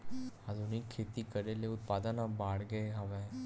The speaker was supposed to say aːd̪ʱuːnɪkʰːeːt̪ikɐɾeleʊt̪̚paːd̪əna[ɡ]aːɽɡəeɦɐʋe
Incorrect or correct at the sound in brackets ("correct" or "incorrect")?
incorrect